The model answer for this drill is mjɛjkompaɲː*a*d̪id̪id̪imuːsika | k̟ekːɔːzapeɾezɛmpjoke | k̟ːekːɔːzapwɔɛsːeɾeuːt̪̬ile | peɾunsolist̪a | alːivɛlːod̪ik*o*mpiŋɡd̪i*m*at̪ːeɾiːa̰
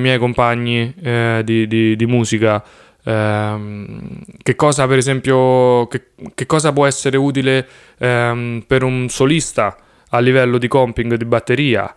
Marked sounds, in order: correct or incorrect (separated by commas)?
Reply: incorrect, incorrect, incorrect